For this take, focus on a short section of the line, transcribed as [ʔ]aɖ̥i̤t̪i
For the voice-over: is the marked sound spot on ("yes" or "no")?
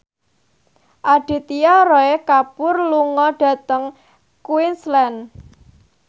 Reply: yes